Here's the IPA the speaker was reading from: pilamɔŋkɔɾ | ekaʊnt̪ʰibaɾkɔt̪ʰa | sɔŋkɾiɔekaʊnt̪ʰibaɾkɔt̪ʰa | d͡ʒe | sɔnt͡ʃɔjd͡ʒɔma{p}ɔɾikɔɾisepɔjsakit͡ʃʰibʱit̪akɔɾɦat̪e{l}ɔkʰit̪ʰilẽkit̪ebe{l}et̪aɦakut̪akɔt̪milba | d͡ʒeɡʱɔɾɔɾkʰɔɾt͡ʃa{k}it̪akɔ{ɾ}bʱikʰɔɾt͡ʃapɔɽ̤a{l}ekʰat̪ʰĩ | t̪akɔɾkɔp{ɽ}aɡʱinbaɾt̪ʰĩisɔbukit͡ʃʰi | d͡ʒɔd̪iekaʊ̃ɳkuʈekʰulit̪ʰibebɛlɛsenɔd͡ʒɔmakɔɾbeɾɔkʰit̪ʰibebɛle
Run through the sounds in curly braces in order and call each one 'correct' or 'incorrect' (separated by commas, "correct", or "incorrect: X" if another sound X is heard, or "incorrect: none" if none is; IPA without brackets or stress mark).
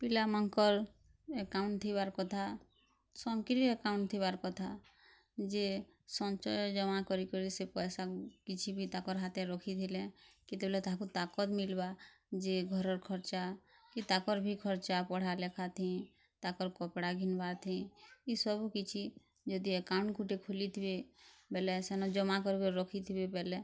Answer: incorrect: k, incorrect: ɾ, correct, correct, correct, correct, correct